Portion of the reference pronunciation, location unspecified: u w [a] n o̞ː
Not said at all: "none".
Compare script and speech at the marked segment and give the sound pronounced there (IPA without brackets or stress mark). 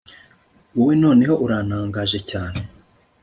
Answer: e